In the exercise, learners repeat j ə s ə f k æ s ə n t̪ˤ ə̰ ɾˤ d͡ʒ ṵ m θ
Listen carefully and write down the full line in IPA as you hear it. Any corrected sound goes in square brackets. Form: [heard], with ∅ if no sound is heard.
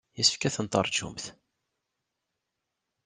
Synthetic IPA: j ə s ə f k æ [θ] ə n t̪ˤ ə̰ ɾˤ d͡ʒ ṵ m θ

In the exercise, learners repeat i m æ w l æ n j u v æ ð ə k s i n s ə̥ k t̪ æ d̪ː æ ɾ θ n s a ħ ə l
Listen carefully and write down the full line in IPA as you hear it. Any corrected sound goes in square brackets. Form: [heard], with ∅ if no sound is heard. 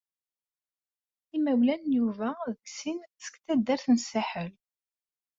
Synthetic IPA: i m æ w l æ n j u v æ ð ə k s i n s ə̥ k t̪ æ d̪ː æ ɾ θ n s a ħ ə l

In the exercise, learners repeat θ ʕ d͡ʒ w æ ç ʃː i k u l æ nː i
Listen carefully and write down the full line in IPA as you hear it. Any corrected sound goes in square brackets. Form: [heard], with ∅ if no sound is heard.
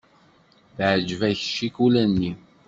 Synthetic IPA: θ ʕ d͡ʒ [v] æ ç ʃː i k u l æ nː i

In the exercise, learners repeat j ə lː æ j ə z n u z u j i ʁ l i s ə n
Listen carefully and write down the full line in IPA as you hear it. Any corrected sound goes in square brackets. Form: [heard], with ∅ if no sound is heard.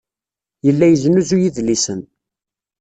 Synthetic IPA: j ə lː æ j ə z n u z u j i [ð] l i s ə n

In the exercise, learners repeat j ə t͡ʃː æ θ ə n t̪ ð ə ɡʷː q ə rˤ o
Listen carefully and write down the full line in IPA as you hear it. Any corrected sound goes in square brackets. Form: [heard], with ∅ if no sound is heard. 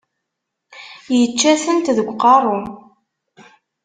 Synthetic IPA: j ə t͡ʃː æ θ ə n t̪ ð ə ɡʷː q [ɑ] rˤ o

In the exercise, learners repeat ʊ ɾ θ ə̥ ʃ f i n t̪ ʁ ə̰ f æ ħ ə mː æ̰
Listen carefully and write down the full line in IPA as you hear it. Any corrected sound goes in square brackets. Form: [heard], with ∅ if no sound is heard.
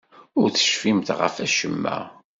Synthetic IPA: ʊ ɾ θ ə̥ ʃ f i [m] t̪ ʁ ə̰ f æ [ʃ] ə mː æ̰

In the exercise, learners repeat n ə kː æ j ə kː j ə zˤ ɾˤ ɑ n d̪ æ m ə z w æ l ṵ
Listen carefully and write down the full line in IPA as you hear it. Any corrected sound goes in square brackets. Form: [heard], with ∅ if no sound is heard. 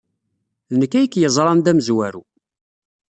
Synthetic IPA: n ə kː æ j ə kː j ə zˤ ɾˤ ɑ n d̪ æ m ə z w æ [ɾ] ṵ

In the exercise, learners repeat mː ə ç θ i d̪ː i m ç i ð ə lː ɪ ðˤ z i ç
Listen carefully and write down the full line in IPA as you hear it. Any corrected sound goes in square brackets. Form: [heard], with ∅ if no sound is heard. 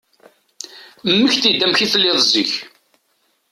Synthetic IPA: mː ə ç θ i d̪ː [æ] m ç i [θ] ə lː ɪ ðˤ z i ç

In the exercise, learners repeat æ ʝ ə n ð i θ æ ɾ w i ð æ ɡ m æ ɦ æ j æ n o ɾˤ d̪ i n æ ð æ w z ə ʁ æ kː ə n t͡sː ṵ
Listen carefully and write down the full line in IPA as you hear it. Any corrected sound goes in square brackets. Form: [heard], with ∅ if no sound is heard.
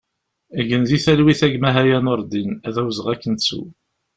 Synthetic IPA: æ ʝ ə n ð i θ æ [l] w i [θ] æ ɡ m æ ɦ æ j æ n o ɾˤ d̪ i n æ ð æ w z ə ʁ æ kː ə n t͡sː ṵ

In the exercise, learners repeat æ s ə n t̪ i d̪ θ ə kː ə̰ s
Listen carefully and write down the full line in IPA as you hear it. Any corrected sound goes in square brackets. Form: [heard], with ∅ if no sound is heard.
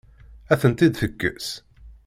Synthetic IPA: æ [θ] ə n t̪ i d̪ θ ə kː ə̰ s

